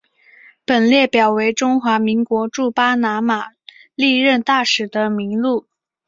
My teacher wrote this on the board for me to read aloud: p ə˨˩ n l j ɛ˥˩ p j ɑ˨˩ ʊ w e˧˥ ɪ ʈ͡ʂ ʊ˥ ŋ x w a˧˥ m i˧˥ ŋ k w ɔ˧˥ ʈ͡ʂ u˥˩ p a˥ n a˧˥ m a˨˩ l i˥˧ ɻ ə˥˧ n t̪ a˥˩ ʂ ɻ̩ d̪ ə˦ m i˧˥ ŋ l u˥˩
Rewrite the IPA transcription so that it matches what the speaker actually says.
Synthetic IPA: p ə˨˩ n l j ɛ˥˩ p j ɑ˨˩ ʊ w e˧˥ ɪ ʈ͡ʂ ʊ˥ ŋ x w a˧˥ m i˧˥ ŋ k w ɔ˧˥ ʈ͡ʂ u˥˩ p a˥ n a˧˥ m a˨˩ l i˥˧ ɻ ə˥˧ n t̪ a˥˩ ʂ ɻ̩ d̪ ə˦ m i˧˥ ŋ l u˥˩